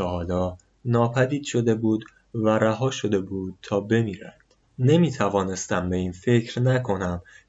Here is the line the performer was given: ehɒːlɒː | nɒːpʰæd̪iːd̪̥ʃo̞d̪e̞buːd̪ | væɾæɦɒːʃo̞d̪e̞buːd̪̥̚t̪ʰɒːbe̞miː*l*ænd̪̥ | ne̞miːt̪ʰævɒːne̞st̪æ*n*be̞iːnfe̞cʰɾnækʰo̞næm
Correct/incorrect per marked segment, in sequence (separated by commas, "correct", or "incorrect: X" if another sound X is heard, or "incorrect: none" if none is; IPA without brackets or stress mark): incorrect: ɾ, incorrect: m